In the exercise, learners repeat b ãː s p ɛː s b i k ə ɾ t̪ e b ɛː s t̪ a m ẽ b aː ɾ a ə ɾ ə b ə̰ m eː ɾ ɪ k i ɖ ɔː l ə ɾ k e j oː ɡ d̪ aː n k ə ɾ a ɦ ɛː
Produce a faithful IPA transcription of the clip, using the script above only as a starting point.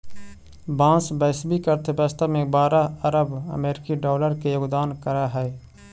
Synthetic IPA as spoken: b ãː s b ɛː s b i k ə ɾ t̪ e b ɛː s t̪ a m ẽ b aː ɾ a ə ɾ ə b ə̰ m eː ɾ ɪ k i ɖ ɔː l ə ɾ k e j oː ɡ d̪ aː n k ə ɾ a ɦ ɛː